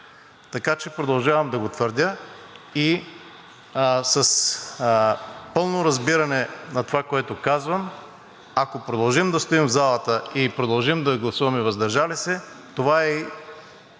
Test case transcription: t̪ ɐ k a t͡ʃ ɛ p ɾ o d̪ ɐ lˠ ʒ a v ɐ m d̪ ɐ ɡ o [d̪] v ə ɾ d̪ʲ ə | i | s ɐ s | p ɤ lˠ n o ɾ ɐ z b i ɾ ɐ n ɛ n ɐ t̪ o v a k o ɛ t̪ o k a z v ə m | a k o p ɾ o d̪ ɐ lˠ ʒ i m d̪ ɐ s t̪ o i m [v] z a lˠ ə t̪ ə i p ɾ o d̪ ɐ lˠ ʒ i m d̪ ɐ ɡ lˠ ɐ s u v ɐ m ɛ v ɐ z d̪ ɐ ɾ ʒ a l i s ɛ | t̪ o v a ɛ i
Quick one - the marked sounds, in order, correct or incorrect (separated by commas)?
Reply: incorrect, correct